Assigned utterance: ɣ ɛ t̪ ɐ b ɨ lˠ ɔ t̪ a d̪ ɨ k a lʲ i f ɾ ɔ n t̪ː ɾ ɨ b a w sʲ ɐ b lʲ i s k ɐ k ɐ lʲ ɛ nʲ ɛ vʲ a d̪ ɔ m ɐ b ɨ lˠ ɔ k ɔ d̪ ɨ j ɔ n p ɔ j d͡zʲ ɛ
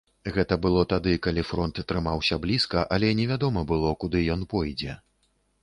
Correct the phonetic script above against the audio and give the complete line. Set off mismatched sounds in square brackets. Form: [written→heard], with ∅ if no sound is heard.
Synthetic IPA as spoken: ɣ ɛ t̪ ɐ b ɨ lˠ ɔ t̪ a d̪ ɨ k a lʲ i f ɾ ɔ n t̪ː ɾ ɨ [b→m] a w sʲ ɐ b lʲ i s k ɐ [k→ʔ] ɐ lʲ ɛ nʲ ɛ vʲ a d̪ ɔ m ɐ b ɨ lˠ ɔ k [ɔ→u] d̪ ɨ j ɔ n p ɔ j d͡zʲ ɛ